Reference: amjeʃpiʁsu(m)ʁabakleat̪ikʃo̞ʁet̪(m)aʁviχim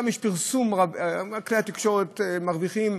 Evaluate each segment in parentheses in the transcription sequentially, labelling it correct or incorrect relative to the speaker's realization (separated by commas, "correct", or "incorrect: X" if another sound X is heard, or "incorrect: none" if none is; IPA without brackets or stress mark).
correct, correct